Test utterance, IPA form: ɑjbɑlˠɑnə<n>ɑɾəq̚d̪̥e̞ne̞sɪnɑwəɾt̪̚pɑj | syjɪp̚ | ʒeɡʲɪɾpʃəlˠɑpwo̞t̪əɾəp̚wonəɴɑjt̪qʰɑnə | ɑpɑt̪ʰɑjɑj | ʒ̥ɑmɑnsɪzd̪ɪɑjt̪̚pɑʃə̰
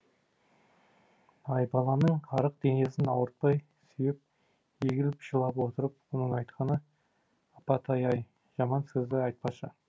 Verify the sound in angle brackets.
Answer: incorrect: ɴ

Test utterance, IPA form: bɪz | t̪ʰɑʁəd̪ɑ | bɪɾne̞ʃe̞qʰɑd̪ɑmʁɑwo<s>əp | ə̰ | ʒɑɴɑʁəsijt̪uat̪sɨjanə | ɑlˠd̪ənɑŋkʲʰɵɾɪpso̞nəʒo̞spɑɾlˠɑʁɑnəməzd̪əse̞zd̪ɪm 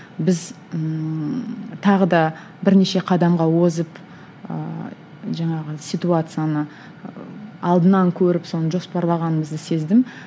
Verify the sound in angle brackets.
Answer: incorrect: z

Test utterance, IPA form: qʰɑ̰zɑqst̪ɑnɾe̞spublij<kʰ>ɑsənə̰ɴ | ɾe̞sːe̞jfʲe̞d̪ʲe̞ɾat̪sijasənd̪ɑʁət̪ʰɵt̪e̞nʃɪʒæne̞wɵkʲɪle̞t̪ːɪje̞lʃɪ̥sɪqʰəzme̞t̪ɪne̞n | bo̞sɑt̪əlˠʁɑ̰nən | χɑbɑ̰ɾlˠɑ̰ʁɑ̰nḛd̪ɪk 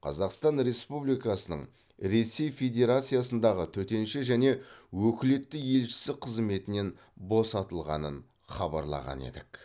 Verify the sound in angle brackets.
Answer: incorrect: k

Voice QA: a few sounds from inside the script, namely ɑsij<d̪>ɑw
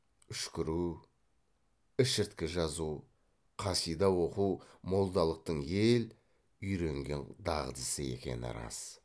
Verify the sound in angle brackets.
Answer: correct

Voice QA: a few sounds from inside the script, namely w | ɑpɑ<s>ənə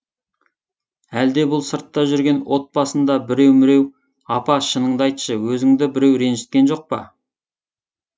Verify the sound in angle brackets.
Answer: incorrect: ʃ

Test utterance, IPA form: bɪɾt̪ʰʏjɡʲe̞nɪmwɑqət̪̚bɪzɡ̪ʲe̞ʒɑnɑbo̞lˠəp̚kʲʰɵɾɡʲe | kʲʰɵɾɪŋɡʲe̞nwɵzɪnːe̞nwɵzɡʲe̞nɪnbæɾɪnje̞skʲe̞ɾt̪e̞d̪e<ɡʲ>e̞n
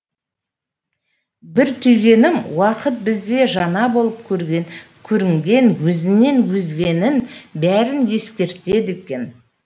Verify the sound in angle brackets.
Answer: incorrect: kʲ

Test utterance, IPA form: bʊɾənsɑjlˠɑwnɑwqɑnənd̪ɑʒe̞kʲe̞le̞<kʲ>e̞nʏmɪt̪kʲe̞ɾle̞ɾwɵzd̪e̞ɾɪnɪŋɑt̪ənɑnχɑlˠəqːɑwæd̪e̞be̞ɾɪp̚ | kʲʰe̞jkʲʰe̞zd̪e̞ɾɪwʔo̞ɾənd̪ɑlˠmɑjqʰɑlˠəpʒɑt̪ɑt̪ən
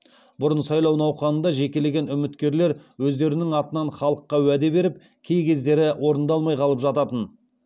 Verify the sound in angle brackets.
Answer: incorrect: ɡʲ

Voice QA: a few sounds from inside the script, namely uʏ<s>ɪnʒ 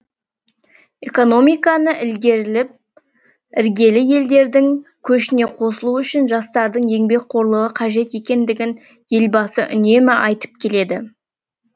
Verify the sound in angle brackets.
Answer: incorrect: ʃ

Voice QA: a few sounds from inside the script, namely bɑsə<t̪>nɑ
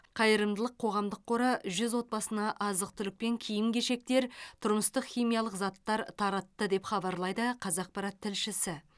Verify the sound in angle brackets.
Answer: incorrect: none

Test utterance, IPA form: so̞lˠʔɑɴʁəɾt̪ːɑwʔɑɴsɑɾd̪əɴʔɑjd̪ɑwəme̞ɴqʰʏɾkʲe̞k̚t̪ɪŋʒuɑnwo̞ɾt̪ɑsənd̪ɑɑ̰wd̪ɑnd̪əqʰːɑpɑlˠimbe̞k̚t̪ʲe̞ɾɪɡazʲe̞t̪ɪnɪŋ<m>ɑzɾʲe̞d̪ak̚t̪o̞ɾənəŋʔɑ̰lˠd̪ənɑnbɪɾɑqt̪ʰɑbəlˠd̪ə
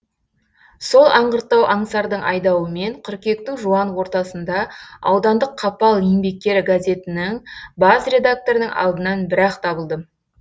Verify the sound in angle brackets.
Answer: incorrect: b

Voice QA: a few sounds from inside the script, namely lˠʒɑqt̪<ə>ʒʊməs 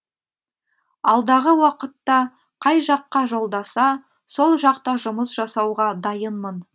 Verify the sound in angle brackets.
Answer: incorrect: ɑ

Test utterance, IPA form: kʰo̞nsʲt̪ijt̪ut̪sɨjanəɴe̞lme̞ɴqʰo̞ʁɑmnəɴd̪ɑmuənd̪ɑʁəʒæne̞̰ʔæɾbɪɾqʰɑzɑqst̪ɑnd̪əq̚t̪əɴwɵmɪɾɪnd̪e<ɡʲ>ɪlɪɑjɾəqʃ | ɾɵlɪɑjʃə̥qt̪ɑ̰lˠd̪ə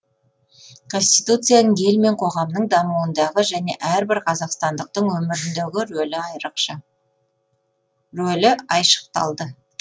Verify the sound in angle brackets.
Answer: correct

